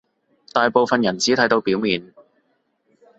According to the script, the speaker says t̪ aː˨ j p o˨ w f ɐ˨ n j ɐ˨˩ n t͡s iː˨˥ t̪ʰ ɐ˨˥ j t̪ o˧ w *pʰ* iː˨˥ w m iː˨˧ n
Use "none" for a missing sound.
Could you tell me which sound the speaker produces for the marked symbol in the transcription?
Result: p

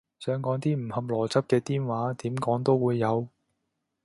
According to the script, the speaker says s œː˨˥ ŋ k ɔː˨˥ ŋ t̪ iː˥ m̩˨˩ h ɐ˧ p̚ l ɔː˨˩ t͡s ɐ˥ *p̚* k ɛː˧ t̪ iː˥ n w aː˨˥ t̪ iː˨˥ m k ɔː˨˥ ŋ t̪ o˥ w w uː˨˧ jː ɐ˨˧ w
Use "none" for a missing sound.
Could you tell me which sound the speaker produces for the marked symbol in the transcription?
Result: p̚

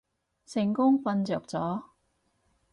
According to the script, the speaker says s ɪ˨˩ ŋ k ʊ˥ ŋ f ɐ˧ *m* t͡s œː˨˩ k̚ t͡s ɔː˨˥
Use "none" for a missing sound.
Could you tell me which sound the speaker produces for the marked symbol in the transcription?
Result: n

